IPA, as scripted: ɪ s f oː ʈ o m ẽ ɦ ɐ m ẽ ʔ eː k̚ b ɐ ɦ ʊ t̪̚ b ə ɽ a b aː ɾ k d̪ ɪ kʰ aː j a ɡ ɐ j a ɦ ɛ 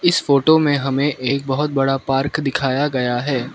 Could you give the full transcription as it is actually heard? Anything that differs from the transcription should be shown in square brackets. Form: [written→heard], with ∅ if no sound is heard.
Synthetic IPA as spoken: ɪ s f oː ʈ o m ẽ ɦ ɐ m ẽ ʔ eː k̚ b ɐ ɦ ʊ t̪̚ b [ə→ɐ] ɽ a [b→p] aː ɾ k d̪ ɪ kʰ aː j a ɡ ɐ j a ɦ [ɛ→ɛː]